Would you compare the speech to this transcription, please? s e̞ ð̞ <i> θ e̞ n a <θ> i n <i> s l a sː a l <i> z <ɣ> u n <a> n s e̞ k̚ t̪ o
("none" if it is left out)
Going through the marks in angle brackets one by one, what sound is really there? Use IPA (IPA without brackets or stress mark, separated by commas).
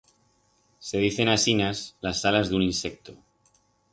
i, s, a, a, ð, i